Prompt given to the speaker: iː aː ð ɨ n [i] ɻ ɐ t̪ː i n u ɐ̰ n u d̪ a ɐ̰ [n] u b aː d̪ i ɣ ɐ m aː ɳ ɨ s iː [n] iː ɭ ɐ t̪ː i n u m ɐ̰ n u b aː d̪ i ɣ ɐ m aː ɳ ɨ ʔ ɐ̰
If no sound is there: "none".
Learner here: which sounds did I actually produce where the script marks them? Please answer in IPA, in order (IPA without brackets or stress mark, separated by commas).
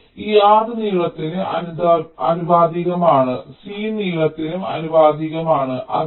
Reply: iː, n, n